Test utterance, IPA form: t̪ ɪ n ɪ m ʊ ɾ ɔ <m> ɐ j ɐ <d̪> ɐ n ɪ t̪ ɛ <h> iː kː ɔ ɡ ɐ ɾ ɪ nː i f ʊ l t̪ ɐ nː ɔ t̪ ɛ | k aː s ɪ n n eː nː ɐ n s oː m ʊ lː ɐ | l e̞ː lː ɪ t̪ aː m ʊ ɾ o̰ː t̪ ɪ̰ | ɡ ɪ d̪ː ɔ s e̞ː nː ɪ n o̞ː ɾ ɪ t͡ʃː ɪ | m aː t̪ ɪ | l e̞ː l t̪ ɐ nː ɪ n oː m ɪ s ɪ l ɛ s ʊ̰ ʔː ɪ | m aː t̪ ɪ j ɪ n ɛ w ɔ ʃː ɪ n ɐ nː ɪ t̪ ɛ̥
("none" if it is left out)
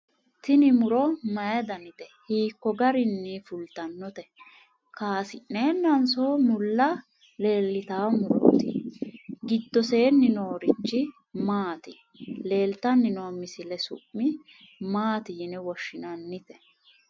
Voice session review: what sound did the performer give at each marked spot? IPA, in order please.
m, d̪, h

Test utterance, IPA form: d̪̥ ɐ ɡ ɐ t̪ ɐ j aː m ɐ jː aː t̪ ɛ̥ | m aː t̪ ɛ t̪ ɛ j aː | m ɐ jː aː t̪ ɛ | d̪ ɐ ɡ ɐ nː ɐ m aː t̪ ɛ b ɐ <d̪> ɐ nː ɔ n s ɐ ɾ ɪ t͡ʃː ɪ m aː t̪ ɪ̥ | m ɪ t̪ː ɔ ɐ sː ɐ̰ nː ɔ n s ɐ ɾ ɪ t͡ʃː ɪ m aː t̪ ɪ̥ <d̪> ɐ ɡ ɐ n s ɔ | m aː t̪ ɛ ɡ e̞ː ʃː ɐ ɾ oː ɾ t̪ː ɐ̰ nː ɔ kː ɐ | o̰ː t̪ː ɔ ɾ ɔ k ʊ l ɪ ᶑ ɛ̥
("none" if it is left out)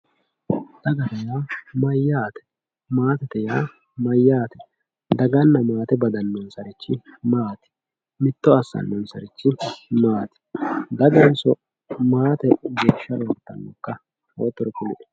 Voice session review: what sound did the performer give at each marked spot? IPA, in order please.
d̪, d̪

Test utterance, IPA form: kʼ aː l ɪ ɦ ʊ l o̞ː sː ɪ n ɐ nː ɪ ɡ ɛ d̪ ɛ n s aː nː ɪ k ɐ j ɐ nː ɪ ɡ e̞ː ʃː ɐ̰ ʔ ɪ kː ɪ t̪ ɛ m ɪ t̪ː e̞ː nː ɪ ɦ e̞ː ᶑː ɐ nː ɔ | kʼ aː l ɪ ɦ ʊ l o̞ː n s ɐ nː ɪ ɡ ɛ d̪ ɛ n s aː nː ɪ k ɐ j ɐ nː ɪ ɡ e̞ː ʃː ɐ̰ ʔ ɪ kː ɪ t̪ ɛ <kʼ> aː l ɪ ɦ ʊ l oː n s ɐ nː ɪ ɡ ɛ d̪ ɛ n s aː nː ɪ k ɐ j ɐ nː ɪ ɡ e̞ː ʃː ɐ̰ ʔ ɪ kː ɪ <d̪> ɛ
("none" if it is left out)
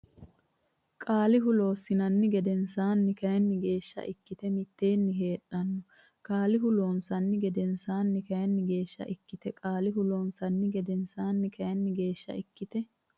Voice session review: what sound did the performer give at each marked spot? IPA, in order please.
kʼ, t̪

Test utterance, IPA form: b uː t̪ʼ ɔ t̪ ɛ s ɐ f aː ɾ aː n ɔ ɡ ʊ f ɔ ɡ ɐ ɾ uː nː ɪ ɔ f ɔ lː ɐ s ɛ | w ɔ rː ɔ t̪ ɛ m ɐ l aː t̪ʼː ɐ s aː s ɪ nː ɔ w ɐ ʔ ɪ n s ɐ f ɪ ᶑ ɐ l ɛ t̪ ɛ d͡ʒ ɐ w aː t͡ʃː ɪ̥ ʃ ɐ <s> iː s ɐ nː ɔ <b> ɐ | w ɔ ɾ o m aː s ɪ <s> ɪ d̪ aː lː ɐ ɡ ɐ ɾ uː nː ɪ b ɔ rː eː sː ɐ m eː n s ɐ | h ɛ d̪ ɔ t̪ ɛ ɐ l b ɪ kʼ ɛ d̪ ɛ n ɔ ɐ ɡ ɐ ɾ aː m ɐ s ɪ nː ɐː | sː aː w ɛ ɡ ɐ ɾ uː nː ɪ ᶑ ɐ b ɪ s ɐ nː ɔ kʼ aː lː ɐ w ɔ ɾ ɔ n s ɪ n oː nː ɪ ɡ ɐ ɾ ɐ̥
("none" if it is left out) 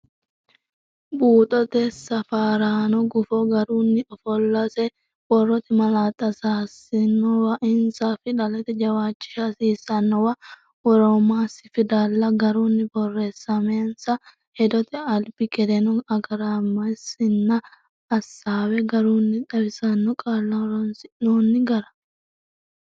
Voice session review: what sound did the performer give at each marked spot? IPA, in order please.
s, w, f

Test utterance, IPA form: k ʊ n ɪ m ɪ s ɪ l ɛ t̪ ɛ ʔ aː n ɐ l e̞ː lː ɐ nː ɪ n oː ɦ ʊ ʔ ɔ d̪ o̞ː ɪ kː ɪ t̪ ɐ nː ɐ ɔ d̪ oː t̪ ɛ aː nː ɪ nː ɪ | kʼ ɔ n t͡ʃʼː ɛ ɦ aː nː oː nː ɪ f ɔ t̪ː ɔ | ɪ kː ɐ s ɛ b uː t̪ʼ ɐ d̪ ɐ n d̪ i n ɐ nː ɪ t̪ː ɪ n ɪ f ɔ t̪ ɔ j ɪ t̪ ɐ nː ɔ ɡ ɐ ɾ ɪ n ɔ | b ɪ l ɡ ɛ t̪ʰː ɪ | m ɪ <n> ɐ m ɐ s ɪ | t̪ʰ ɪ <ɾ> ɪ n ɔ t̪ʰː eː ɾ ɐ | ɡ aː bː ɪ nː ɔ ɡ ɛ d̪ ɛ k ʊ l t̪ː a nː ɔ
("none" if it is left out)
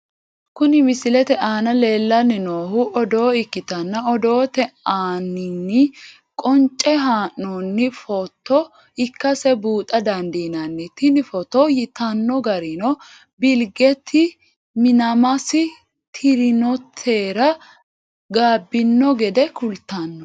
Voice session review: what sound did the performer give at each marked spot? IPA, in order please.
n, ɾ

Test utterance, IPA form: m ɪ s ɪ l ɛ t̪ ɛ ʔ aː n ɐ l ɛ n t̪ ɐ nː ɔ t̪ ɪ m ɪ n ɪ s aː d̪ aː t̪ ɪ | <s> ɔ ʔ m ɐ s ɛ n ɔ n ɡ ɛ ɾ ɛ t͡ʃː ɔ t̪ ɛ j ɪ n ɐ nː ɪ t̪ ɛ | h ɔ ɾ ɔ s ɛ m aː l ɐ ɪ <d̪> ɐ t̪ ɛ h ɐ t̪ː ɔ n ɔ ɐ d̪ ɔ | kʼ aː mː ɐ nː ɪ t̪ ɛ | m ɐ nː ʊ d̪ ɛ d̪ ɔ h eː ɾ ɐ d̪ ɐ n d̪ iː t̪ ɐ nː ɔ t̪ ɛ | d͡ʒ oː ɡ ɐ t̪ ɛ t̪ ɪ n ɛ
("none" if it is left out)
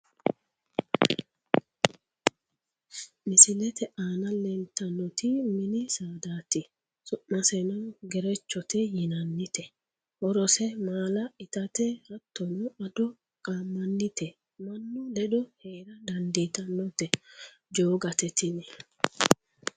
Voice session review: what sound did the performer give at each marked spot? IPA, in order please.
s, t̪

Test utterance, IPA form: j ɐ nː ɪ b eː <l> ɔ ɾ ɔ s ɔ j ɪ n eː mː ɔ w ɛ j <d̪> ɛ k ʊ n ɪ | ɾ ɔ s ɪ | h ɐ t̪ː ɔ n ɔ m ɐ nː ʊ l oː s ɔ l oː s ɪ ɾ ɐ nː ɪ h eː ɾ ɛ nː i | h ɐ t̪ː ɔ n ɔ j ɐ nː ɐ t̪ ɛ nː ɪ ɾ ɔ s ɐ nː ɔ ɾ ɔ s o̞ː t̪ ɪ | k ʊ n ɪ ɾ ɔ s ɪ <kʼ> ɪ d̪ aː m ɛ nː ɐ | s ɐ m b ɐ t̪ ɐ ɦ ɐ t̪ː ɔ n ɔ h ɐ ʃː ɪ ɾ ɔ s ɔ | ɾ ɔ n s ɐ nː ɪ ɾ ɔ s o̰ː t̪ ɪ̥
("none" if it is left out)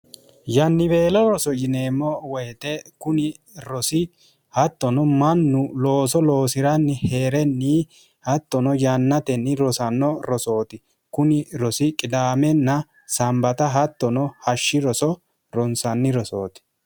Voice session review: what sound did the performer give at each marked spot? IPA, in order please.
l, t̪, kʼ

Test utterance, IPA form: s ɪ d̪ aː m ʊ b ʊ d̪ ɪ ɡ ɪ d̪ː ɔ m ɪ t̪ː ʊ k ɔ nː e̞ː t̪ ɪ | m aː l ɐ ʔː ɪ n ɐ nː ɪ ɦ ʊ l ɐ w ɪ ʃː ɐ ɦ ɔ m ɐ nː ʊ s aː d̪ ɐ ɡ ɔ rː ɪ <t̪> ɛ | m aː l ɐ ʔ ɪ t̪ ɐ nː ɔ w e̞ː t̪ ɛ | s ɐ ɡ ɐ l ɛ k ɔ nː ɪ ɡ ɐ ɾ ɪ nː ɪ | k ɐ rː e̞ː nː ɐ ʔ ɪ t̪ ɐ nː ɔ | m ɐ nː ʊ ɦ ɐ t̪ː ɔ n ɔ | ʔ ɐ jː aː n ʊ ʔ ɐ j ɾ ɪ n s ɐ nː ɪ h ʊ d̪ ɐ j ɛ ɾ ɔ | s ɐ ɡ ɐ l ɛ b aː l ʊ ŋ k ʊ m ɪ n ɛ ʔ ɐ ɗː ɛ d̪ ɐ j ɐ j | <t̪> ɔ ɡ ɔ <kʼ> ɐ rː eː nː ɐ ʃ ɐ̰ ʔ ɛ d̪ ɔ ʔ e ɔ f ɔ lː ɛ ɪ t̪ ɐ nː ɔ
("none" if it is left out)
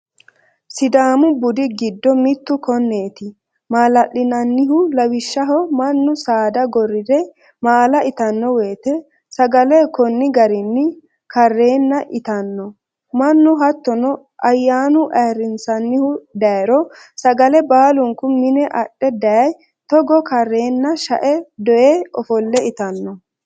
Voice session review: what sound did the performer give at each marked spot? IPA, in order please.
d̪, t̪, k

